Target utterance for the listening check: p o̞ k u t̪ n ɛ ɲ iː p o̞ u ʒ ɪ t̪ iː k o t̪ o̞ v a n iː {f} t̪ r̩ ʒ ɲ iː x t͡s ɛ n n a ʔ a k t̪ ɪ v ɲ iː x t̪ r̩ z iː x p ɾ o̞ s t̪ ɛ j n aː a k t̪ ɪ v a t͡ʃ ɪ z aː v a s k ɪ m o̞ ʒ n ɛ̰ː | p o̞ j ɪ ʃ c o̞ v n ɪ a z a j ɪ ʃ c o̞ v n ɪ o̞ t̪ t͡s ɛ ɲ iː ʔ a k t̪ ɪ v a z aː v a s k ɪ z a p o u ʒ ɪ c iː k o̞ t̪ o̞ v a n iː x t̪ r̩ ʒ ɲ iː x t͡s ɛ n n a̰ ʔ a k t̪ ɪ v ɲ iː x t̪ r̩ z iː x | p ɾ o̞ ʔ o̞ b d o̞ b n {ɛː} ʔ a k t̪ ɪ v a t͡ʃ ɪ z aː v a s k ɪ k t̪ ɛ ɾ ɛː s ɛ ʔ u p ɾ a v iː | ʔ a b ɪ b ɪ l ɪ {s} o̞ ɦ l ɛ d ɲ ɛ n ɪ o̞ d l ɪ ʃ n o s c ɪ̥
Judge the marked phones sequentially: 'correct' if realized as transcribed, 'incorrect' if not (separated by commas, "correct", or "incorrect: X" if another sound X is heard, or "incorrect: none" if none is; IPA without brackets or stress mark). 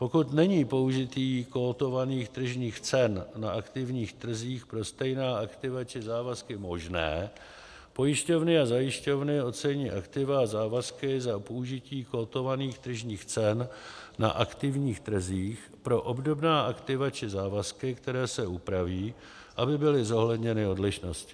incorrect: x, incorrect: aː, incorrect: z